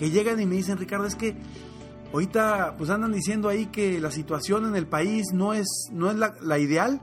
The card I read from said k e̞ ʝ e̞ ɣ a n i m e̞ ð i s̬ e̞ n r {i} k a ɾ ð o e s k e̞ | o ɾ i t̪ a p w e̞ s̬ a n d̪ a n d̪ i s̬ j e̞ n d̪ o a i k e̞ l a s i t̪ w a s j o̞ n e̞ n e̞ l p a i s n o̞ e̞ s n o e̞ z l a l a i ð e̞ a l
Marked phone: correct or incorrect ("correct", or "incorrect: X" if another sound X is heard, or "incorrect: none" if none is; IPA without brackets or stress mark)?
correct